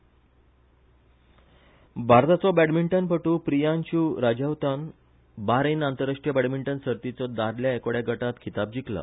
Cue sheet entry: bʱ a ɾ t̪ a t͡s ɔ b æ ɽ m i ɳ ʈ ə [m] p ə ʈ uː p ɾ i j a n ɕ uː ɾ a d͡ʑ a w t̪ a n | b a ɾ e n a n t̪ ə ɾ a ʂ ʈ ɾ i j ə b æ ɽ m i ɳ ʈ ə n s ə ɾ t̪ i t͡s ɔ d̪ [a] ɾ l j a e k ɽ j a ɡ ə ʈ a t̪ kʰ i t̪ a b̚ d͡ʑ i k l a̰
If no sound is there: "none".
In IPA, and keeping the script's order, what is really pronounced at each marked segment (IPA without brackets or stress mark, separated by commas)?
n, a